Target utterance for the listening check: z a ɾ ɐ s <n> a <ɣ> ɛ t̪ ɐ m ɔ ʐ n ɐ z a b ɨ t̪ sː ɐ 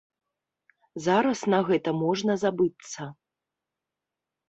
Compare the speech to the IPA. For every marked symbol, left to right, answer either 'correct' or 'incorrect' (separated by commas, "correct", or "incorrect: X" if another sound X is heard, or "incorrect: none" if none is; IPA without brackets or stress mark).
correct, correct